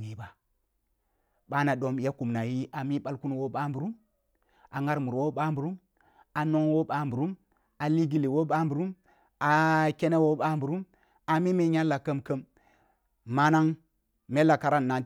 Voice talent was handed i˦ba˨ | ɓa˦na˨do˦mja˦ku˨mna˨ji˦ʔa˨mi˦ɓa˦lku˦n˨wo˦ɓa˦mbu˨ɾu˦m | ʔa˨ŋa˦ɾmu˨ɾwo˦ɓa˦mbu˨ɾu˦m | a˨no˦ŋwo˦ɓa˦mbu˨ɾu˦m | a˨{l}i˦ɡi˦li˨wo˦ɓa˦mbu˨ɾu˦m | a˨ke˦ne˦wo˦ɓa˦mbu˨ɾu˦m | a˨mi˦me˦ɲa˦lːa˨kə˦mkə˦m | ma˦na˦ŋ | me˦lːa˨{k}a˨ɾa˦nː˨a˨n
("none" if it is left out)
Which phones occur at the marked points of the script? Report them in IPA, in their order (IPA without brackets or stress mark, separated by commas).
l, k